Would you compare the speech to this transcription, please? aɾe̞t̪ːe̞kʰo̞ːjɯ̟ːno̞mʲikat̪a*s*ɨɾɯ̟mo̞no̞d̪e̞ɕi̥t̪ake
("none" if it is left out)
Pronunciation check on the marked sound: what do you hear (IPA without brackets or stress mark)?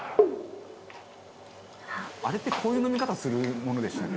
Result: s